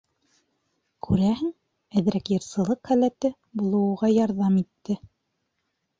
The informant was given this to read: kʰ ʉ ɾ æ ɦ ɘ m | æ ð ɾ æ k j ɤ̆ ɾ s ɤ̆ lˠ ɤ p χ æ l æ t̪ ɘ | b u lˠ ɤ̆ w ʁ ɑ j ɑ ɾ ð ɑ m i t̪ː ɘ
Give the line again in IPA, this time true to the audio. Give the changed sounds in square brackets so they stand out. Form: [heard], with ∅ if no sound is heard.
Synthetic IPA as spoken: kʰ ʉ ɾ æ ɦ ɘ [ŋ] | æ ð ɾ æ k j ɤ̆ ɾ s ɤ̆ lˠ ɤ [q] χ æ l æ t̪ ɘ | b u lˠ ɤ̆ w ʁ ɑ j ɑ ɾ ð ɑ m i t̪ː ɘ